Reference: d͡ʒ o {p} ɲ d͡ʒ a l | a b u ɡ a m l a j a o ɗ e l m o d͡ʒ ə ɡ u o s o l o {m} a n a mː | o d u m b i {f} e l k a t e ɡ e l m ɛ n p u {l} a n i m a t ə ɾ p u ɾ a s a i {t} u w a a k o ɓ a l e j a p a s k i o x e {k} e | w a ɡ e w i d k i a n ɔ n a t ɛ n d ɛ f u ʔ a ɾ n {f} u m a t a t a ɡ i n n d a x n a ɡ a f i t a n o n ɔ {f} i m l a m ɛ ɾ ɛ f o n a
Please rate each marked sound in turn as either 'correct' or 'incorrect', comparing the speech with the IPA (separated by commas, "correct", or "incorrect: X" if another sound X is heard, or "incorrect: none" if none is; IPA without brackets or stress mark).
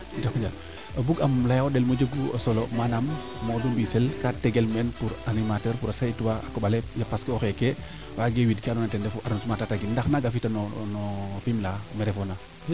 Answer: incorrect: k, correct, incorrect: s, incorrect: ɾ, correct, correct, incorrect: s, correct